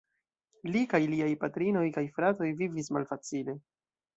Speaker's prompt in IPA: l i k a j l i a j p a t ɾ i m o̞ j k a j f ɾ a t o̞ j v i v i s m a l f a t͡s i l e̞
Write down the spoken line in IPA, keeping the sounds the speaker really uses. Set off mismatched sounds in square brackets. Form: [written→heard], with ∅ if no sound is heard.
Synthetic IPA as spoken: l i k a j l i a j p a t ɾ i [m→n] o̞ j k a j f ɾ a t o̞ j v i v i s m a l f a t͡s i l e̞